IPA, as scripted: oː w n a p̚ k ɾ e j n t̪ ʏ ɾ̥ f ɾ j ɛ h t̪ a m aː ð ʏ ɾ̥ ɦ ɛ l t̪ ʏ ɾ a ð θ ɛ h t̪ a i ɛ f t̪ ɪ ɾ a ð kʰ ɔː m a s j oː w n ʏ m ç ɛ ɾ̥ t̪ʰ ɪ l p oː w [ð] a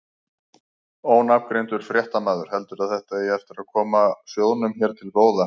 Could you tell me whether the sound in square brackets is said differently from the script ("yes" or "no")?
no